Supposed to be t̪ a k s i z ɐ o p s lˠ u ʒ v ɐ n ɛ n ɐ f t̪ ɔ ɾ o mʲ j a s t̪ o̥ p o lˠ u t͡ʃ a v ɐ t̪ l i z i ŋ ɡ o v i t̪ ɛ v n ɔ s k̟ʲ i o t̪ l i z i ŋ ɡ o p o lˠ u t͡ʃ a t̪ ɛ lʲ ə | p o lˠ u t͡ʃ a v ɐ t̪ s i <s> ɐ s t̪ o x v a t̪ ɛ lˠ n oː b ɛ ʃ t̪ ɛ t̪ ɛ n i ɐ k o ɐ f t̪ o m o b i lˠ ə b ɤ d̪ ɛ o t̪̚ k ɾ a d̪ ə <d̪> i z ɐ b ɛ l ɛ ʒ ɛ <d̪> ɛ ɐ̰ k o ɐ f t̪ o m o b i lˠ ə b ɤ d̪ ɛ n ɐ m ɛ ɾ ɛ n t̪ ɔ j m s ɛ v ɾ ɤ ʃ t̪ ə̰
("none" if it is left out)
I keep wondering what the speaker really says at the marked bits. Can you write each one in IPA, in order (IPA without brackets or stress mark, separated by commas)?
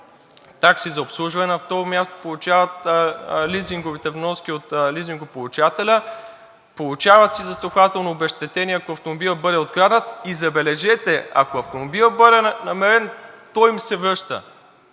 z, t̪, t̪